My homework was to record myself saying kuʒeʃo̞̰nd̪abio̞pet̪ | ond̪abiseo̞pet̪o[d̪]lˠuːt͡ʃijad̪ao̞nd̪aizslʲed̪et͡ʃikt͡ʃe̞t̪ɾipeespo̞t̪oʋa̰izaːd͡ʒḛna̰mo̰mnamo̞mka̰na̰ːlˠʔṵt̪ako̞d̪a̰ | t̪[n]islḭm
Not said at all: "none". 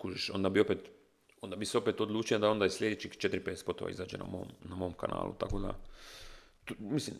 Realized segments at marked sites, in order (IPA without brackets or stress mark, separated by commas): d̪, m